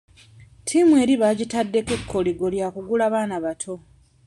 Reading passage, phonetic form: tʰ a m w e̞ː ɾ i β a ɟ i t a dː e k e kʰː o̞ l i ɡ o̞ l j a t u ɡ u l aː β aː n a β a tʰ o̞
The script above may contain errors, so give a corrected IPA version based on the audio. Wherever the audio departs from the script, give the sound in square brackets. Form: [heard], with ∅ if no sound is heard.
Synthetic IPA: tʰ [i] m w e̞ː ɾ i β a ɟ i t a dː e k e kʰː o̞ l i ɡ o̞ l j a [k] u ɡ u l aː β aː n a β a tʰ o̞